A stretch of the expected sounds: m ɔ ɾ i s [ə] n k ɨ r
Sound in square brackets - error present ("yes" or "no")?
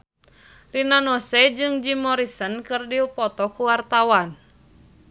no